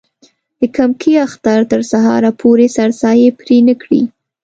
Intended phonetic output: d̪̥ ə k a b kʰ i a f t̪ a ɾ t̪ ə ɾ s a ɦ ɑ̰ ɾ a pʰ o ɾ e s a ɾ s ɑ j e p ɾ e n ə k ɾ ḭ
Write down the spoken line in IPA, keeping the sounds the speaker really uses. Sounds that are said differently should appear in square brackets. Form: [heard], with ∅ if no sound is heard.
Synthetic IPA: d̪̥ ə k a [m] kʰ i a [x] t̪ a ɾ t̪ ə ɾ s a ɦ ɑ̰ ɾ a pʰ o ɾ e s a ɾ s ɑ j e p ɾ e n ə k [ɽ] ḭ